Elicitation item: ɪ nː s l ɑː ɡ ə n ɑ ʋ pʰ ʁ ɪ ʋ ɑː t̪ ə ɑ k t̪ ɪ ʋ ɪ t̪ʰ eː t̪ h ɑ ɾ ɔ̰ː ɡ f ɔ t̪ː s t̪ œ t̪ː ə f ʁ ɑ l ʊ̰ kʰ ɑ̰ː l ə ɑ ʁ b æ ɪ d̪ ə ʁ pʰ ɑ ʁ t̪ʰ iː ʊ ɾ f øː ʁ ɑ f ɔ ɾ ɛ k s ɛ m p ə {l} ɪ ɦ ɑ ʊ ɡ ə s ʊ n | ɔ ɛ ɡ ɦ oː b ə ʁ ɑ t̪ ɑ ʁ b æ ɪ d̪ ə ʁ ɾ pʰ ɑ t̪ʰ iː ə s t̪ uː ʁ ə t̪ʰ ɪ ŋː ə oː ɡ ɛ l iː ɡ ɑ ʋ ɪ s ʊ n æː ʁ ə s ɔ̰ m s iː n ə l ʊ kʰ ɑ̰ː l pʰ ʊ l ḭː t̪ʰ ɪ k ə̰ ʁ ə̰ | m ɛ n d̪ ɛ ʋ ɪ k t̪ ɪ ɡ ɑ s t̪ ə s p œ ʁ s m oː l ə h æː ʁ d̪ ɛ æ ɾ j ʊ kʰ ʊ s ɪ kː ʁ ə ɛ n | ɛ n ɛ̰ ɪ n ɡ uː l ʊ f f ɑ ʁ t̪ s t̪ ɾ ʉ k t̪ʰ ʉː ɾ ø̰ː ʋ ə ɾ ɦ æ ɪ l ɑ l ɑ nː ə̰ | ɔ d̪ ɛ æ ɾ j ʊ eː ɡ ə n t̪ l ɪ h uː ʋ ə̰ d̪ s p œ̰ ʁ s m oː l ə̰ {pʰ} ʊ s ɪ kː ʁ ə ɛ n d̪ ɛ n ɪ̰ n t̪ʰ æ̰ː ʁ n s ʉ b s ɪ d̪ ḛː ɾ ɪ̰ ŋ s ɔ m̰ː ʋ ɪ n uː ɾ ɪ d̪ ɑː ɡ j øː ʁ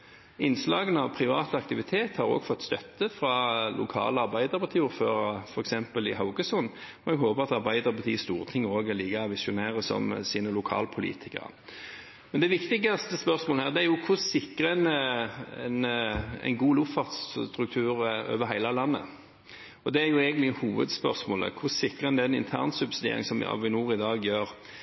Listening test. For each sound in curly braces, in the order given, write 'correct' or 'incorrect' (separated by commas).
correct, incorrect